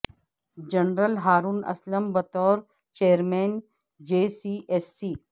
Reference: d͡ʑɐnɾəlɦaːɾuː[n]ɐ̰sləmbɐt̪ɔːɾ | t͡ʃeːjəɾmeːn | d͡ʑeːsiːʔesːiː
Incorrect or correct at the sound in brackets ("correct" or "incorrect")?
correct